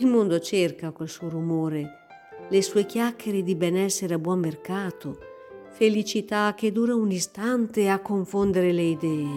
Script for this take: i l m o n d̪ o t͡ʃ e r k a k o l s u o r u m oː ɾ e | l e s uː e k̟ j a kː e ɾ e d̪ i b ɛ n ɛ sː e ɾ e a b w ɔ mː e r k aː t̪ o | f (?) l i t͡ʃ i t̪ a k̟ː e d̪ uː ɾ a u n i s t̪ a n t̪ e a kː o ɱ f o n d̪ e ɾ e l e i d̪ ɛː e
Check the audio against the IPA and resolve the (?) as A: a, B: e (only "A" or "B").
B